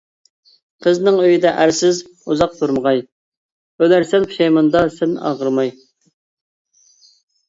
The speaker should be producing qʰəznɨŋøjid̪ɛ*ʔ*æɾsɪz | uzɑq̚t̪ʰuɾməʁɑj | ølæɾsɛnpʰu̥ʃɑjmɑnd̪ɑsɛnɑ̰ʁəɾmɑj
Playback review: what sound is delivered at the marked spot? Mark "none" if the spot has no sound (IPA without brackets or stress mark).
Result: ʔ